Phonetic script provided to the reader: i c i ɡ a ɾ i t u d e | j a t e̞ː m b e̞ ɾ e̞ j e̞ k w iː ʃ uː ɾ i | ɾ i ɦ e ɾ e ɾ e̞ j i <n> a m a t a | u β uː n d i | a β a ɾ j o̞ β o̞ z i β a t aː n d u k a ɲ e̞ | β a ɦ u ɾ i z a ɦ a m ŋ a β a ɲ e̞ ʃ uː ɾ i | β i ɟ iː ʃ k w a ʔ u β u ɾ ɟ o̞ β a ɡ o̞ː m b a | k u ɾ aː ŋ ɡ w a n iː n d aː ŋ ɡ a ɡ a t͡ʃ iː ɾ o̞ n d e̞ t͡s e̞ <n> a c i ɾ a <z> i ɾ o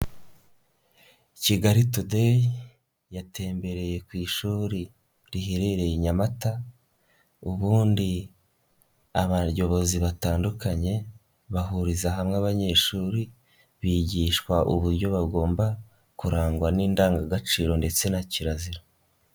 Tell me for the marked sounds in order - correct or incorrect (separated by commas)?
incorrect, correct, correct